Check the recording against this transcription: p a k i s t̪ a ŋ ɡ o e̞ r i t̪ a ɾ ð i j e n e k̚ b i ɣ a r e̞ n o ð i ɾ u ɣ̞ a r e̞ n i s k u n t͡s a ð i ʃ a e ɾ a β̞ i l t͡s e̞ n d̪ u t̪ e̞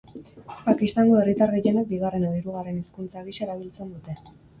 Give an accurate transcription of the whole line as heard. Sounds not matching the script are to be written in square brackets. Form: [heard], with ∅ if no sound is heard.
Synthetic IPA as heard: p a k i s t̪ a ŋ ɡ o e̞ r i t̪ a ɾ [ɣ] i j e n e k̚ b i ɣ a r e̞ n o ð i ɾ u ɣ̞ a r e̞ n i s k u n t͡s a [ɣ] i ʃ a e ɾ a β̞ i l t͡s e̞ n d̪ u t̪ e̞